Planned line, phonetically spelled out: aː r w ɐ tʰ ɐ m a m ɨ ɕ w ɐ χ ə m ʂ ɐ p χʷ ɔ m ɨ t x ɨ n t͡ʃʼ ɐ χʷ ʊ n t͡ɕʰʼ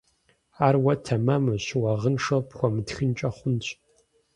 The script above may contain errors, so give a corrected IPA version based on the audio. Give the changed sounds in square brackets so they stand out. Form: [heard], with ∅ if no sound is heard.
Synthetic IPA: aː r w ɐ tʰ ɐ m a m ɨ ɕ w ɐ [ʁ] ə [n] ʂ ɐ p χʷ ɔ m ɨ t x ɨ n t͡ʃʼ ɐ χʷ ʊ n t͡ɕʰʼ